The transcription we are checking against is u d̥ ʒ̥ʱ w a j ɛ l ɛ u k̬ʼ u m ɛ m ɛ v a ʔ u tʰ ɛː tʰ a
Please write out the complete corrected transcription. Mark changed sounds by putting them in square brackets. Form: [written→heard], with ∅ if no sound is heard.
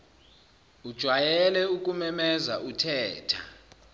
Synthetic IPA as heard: u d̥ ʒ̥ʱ w a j ɛ l ɛ u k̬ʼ u m ɛ m ɛ [v→z] a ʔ u tʰ ɛː tʰ a